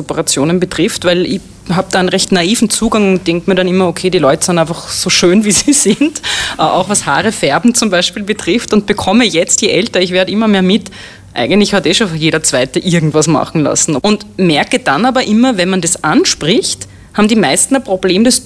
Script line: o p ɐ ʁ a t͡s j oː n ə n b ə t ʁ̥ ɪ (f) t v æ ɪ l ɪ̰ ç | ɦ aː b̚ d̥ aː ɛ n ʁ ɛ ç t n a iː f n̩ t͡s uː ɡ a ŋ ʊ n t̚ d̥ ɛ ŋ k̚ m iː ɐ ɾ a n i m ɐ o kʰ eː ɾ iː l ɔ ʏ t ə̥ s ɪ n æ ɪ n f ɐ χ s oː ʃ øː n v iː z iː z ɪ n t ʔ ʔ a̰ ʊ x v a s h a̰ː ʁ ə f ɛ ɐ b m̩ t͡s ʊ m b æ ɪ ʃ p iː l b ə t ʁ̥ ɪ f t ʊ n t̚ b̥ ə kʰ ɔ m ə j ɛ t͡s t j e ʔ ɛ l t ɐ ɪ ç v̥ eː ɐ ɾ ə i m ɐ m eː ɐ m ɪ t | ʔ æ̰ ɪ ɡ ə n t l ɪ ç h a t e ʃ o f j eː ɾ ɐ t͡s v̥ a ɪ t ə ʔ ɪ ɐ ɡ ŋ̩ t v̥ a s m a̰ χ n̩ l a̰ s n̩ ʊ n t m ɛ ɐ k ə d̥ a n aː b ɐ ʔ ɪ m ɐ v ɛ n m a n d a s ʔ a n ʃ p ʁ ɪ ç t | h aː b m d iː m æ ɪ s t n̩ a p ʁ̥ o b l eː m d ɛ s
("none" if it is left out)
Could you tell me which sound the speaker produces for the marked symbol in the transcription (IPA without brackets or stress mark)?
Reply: f